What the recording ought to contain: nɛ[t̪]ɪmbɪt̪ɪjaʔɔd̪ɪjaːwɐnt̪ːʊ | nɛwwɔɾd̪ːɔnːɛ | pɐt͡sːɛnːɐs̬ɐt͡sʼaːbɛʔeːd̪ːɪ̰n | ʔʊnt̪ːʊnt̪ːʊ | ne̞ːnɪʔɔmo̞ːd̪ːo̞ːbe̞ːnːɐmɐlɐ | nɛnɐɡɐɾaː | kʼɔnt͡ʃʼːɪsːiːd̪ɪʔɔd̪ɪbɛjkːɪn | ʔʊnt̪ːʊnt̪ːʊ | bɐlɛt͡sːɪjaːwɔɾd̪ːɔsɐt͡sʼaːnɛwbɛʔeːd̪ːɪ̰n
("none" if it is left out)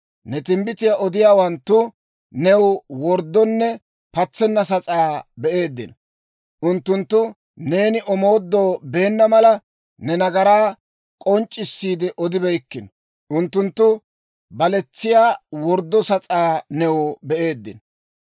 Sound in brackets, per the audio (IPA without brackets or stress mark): t̪